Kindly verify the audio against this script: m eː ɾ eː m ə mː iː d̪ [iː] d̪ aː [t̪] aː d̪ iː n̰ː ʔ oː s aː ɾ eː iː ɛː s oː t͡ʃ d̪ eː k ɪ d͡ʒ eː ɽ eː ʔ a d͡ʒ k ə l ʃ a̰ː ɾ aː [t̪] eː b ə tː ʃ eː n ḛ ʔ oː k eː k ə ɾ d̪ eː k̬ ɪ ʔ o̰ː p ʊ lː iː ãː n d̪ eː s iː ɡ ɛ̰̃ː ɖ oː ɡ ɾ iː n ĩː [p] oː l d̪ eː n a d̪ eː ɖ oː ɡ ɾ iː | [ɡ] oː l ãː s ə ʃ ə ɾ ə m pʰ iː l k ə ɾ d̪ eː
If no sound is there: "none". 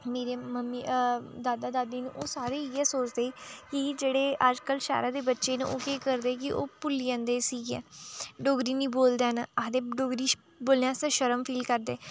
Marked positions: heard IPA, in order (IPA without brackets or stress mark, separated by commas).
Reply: aː, d̪, d̪, b, b